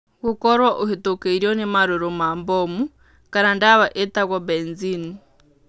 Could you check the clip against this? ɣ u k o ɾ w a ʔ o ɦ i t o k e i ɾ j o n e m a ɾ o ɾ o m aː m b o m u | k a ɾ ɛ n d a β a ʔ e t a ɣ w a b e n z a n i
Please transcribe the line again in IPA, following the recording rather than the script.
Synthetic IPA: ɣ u k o ɾ w a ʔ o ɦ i t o k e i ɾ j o n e m a ɾ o ɾ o m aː m b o m u | k a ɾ a n d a β a ʔ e t a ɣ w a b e n z i n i